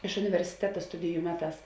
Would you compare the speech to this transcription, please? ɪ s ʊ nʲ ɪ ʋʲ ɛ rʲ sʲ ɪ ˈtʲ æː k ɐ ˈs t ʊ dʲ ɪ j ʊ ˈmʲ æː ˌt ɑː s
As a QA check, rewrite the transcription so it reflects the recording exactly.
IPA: ɪ ʃ ʊ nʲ ɪ ʋʲ ɛ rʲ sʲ ɪ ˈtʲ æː t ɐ ˈs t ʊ dʲ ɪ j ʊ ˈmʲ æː ˌt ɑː s